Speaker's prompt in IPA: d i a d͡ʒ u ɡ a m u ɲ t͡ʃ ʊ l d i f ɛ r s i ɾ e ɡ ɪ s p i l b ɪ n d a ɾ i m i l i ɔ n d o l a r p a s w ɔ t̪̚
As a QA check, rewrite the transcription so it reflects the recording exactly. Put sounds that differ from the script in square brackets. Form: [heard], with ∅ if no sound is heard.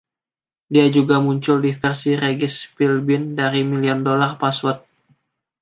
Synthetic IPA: d i a d͡ʒ u ɡ a m u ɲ t͡ʃ ʊ l d i f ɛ r s i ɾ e ɡ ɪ s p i l b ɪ n d a ɾ i m i l i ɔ n d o l a r p a s w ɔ t̪̚

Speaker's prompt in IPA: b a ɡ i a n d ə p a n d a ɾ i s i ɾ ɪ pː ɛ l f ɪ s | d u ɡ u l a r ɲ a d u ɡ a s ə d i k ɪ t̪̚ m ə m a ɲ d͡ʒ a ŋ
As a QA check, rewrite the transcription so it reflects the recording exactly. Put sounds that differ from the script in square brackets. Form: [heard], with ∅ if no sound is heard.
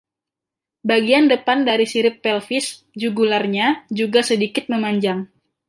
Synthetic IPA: b a ɡ i a n d ə p a n d a ɾ i s i ɾ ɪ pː ɛ l f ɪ s | [d͡ʒ] u ɡ u l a r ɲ a [d͡ʒ] u ɡ a s ə d i k ɪ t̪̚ m ə m a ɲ d͡ʒ a ŋ

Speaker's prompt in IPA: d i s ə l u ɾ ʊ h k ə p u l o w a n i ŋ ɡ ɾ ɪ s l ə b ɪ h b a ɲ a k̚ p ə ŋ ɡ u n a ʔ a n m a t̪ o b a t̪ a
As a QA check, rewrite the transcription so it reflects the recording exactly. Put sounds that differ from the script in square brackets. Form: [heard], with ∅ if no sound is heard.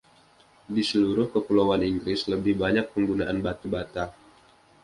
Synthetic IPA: d i s ə l u ɾ ʊ h k ə p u l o w a n i ŋ ɡ ɾ ɪ s l ə b ɪ h b a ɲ a k̚ p ə ŋ ɡ u n a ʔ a n [b] a t̪ [u] b a t̪ a

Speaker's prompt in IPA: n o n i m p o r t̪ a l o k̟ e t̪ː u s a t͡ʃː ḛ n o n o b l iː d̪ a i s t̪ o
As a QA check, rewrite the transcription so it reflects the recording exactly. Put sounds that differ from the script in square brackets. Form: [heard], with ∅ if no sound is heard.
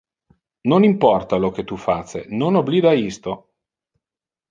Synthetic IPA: n o n i m p [ɔ] r t̪ a l o k̟ e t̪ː u [f] a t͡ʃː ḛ n o n o b l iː d̪ a i s t̪ o

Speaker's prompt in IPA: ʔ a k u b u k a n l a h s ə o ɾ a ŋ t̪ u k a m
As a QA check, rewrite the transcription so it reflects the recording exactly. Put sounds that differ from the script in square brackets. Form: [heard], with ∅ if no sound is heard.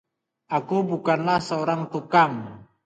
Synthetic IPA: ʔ a k u b u k a n l a h s ə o ɾ a ŋ t̪ u k a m

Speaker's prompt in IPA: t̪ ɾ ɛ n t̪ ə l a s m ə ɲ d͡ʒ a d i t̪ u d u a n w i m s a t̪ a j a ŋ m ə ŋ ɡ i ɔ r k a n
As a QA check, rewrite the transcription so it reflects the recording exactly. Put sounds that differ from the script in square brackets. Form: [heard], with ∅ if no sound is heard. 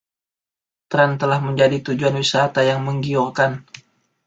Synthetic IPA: t̪ ɾ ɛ n t̪ ə l a [h] m ə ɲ d͡ʒ a d i t̪ u [d͡ʒ] u a n w i [∅] s a t̪ a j a ŋ m ə ŋ ɡ i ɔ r k a n

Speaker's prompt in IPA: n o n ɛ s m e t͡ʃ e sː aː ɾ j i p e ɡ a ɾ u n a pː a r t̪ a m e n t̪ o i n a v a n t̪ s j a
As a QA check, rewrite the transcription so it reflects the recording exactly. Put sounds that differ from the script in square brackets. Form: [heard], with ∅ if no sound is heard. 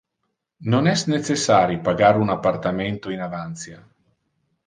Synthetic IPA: n o n ɛ s [n] e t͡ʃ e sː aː ɾ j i p [a] ɡ a ɾ u n a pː a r t̪ a m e n t̪ o i n a v a n t̪ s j a

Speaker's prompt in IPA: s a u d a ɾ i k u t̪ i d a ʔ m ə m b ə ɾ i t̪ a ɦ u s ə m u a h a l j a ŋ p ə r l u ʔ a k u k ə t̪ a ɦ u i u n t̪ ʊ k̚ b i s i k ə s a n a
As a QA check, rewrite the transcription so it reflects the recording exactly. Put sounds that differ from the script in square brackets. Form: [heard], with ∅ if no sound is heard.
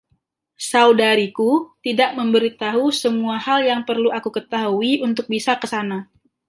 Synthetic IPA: s a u d a ɾ i k u t̪ i d a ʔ m ə m b ə ɾ i t̪ a ɦ u s ə m u a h a l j a ŋ p ə r l u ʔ a k u k ə t̪ a ɦ u i u n t̪ ʊ k̚ b i s [a] k ə s a n a

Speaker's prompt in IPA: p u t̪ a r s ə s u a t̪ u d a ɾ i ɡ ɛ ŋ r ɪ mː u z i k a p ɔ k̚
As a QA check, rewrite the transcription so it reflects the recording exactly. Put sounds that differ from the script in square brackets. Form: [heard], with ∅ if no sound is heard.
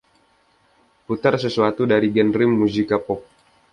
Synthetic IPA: p u t̪ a r s ə s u a t̪ u d a ɾ i ɡ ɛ [n] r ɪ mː u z i k a p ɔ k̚

